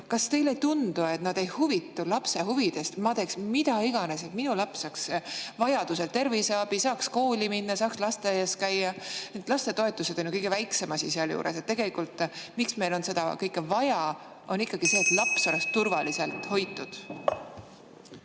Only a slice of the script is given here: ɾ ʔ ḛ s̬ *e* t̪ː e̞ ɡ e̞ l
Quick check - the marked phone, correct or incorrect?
correct